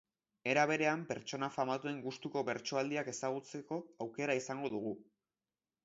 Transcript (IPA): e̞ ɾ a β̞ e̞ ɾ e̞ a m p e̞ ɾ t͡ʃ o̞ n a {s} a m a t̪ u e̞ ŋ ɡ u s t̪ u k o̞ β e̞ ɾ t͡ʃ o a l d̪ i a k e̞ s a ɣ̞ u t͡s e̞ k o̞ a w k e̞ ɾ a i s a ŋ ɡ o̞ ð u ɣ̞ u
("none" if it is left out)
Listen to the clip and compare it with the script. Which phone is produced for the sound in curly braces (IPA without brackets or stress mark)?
f